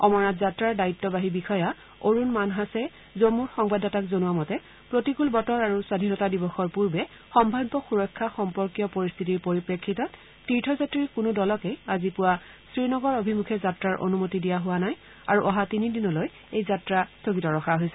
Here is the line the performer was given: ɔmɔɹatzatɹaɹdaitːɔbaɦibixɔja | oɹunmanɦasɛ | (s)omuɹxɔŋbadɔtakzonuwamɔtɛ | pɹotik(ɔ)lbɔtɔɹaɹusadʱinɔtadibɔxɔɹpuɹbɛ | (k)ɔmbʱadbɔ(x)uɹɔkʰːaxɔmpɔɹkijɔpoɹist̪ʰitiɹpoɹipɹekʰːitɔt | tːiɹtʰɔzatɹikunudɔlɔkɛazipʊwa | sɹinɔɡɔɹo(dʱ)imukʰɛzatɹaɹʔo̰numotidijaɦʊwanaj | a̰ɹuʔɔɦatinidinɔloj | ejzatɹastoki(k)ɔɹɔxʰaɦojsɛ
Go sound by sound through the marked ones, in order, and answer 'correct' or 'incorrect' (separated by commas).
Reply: incorrect, incorrect, incorrect, correct, incorrect, incorrect